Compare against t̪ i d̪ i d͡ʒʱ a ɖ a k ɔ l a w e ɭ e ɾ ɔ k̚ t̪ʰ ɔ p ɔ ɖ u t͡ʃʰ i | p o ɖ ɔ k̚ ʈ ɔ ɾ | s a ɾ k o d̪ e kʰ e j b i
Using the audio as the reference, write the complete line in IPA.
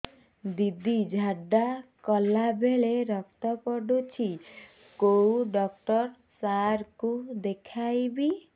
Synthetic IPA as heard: d̪ i d̪ i d͡ʒʱ a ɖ a k ɔ l a b e ɭ e ɾ ɔ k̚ t̪ ɔ p ɔ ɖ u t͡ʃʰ i | k o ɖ ɔ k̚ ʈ ɔ ɾ | s a ɾ k u d̪ e kʰ a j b i